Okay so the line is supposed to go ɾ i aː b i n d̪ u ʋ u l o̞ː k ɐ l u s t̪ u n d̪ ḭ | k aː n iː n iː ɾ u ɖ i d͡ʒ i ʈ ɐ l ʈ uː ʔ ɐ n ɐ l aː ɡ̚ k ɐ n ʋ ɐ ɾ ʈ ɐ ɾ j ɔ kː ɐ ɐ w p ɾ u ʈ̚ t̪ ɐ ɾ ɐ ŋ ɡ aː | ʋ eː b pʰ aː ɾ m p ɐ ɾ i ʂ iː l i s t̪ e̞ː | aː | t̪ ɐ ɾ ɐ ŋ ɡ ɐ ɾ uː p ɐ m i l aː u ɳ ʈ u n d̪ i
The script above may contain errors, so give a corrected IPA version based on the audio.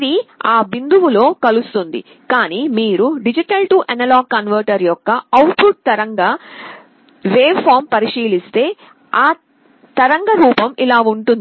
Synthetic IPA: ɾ i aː b i n d̪ u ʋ u l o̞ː k ɐ l u s t̪ u n d̪ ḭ | k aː n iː m iː ɾ u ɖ i d͡ʒ i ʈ ɐ l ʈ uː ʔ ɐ n ɐ l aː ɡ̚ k ɐ n ʋ ɐ ɾ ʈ ɐ ɾ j ɔ kː ɐ ɐ w p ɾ u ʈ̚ t̪ ɐ ɾ ɐ ŋ ɡ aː | ʋ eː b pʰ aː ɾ m p ɐ ɾ i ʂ iː l i s t̪ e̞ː | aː | t̪ ɐ ɾ ɐ ŋ ɡ ɐ ɾ uː p ɐ m i l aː u ɳ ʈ u n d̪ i